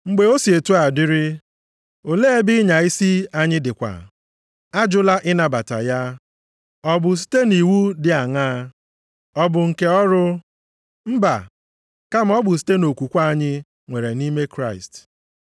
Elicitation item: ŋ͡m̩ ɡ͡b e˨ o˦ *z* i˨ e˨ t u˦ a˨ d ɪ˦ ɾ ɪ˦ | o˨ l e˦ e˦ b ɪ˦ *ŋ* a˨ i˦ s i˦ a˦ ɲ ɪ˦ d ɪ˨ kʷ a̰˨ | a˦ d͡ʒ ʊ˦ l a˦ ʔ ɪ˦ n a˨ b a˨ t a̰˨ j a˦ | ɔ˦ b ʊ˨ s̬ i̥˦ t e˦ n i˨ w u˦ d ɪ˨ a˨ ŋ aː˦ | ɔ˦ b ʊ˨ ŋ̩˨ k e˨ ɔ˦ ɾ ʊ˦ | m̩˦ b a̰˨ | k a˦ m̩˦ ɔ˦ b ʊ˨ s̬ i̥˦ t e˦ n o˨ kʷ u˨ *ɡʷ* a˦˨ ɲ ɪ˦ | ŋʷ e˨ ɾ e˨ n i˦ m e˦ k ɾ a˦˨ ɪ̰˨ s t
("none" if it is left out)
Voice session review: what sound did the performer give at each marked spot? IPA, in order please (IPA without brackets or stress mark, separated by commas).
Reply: s, ɲ, kʷ